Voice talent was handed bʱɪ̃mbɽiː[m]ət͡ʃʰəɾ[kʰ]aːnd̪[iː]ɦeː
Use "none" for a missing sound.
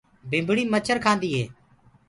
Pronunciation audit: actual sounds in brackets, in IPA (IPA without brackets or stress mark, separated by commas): m, kʰ, iː